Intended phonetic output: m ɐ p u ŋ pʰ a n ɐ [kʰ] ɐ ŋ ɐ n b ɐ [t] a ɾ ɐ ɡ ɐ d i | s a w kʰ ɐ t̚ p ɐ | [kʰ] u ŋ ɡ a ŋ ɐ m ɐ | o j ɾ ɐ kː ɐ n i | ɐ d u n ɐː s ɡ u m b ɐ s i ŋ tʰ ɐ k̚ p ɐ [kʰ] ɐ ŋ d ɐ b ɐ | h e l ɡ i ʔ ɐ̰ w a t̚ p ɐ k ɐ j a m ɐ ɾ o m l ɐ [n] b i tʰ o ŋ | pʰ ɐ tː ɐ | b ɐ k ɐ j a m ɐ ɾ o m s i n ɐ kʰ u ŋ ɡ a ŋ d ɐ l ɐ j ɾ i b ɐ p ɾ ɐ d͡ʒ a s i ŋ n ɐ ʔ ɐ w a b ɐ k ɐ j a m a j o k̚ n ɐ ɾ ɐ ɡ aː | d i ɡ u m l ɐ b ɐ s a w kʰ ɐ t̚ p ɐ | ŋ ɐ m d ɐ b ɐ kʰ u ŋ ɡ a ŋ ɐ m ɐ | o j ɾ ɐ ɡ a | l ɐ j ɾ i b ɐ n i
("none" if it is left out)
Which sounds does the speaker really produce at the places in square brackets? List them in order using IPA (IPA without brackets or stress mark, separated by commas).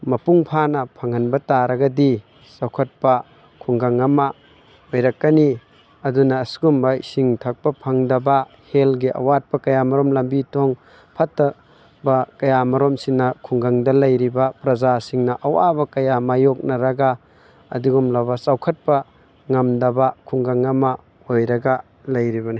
pʰ, t, kʰ, pʰ, m